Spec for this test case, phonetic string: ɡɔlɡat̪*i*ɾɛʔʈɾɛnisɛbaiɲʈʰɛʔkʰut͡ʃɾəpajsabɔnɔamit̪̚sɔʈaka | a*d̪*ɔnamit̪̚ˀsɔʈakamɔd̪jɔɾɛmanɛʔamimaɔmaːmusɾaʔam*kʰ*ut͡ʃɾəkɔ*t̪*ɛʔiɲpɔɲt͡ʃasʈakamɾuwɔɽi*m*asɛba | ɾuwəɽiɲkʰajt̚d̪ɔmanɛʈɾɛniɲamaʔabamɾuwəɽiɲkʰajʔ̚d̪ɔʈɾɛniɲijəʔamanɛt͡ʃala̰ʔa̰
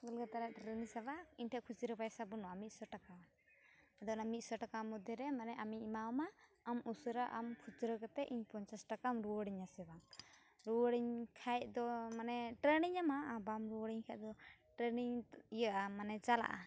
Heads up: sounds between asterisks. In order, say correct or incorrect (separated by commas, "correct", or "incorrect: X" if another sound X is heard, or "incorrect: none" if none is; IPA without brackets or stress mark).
incorrect: a, correct, correct, correct, incorrect: ɲ